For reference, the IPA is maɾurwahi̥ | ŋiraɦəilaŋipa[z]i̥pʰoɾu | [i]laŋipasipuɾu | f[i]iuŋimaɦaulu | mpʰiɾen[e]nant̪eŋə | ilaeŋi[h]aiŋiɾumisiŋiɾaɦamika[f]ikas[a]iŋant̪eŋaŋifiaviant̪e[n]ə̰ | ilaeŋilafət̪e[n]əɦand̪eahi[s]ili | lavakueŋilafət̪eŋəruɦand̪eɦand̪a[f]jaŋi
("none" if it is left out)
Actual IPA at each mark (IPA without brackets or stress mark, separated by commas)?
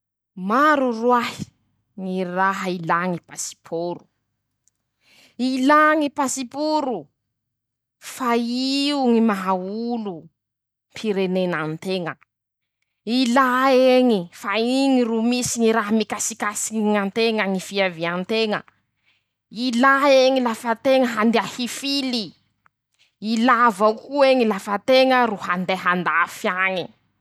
s, i, a, e, f, s, i, ŋ, ŋ, f, f